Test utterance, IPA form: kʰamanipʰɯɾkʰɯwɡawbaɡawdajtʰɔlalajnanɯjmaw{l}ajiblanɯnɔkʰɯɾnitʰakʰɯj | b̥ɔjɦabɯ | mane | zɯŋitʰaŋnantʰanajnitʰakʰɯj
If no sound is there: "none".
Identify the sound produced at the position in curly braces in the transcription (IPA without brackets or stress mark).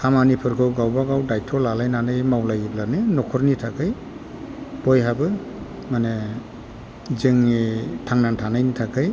l